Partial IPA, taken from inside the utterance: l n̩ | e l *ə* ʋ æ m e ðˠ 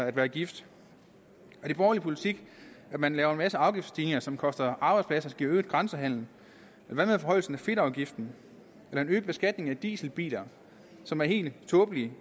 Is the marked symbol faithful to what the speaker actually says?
no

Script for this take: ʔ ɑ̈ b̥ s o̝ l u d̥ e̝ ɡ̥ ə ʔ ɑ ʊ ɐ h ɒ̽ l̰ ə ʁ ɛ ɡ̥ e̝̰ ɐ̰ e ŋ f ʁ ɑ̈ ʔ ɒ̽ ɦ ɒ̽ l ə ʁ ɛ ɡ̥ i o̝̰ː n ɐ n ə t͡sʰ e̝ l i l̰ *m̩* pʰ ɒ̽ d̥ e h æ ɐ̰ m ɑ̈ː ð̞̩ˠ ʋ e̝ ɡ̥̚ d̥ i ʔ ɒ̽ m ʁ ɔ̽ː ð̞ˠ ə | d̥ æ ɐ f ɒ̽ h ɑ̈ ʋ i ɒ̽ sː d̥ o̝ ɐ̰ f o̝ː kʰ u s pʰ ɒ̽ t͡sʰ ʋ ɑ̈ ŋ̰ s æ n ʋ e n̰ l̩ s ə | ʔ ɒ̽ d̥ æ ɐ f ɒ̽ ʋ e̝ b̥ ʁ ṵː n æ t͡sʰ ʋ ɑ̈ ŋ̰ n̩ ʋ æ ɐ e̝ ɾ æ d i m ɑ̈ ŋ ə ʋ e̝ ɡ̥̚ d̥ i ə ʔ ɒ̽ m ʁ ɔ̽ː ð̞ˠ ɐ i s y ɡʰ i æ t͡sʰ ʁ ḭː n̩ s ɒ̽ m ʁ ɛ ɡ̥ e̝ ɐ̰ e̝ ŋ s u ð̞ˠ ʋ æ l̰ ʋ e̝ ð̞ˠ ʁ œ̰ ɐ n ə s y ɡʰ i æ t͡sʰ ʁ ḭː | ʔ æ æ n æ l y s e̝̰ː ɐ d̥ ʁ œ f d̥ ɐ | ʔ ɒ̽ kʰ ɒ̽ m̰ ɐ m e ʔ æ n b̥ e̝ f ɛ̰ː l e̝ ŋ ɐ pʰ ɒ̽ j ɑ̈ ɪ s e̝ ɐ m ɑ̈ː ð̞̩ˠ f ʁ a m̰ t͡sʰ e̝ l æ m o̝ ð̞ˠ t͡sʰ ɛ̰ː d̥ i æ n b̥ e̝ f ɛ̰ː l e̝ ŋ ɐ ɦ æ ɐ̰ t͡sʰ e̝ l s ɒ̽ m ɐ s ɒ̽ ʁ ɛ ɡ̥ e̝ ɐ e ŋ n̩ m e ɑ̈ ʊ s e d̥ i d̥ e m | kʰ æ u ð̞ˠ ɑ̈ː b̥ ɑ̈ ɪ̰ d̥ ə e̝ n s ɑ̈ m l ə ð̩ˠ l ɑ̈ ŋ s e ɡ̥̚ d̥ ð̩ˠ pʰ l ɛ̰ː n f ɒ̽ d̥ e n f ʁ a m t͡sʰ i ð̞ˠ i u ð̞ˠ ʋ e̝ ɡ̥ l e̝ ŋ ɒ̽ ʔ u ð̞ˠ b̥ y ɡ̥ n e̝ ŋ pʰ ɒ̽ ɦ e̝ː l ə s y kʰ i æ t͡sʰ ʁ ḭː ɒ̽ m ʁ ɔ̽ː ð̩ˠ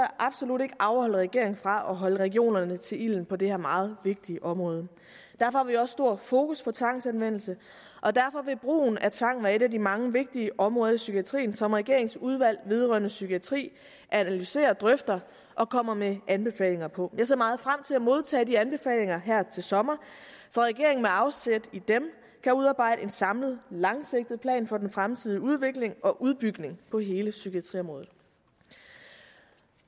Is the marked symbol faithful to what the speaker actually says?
no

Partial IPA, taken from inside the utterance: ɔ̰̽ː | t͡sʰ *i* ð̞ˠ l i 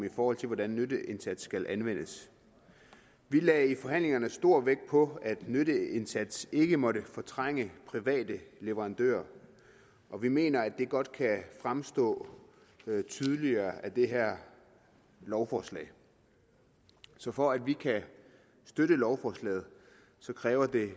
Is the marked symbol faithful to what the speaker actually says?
no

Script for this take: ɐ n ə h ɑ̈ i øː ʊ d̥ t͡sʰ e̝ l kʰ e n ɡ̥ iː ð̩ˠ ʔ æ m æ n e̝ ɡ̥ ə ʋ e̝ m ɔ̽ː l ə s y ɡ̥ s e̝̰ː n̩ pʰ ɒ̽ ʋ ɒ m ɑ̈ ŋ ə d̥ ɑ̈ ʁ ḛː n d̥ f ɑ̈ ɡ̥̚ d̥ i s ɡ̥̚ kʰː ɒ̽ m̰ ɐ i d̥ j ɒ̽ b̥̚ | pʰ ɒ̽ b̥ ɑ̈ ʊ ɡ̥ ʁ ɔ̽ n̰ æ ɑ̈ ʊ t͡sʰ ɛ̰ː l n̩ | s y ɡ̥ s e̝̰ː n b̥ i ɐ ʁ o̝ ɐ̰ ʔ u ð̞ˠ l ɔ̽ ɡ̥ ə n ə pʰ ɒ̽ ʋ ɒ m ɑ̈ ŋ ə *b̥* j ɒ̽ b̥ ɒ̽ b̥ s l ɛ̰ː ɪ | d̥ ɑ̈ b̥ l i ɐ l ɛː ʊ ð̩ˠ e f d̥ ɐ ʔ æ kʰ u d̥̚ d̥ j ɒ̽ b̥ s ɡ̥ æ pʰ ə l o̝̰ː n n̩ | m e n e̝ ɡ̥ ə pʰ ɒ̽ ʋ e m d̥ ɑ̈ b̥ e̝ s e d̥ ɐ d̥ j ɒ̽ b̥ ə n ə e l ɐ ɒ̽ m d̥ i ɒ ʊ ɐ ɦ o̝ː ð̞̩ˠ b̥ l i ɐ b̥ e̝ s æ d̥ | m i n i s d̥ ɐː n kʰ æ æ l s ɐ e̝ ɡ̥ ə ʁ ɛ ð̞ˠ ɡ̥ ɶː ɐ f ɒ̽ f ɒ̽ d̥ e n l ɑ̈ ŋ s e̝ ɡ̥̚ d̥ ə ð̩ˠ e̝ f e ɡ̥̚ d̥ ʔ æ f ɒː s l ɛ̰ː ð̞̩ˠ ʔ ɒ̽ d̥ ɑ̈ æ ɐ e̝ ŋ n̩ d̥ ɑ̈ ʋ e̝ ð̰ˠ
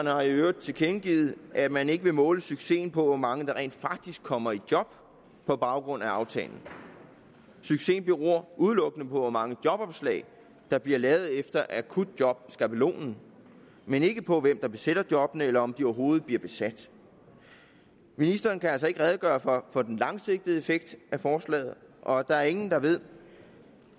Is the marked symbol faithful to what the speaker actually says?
no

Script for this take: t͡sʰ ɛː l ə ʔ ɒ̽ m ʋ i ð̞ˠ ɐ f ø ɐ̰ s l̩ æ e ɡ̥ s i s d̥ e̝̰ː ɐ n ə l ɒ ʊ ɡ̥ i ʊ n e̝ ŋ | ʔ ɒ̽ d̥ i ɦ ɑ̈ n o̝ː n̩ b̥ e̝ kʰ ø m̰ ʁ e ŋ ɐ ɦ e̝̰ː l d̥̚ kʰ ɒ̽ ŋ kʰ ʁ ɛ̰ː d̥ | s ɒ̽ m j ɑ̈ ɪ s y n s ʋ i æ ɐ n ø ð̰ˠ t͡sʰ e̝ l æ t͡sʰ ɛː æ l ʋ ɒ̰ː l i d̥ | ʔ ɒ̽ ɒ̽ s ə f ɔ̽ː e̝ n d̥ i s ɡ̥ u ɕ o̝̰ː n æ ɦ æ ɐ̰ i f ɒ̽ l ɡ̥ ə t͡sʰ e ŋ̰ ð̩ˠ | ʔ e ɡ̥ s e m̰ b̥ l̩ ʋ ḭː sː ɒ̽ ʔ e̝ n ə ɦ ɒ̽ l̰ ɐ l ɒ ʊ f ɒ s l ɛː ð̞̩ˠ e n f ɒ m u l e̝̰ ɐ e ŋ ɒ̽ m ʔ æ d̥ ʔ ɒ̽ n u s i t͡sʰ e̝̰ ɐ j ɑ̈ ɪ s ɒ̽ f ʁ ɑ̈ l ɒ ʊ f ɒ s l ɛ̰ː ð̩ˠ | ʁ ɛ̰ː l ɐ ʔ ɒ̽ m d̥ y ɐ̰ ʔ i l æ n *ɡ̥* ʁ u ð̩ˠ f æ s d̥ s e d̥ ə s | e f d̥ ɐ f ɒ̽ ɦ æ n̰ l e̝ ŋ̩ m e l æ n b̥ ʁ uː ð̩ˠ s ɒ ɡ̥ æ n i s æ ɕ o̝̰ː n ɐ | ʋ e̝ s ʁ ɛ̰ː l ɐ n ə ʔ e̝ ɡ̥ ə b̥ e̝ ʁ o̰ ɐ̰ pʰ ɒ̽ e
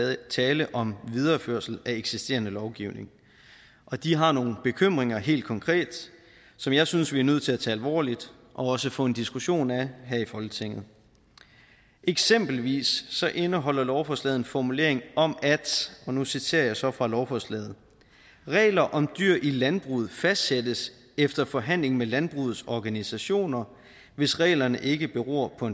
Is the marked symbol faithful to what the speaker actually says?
no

